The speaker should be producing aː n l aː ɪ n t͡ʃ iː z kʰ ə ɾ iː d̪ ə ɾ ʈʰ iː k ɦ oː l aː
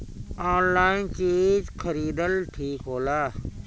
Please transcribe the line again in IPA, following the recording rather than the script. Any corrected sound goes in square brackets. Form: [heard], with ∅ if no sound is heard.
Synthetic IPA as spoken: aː n l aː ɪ n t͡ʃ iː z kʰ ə ɾ iː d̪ ə [l] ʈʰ iː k ɦ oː l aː